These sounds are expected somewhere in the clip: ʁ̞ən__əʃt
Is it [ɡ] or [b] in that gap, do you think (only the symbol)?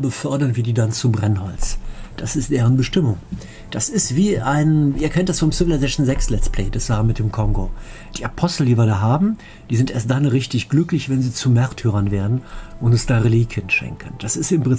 b